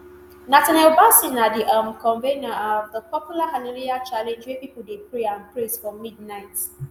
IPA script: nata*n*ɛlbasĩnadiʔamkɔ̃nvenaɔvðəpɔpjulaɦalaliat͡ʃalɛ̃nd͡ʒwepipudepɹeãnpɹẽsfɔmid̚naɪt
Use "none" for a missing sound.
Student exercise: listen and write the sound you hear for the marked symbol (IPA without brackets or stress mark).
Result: n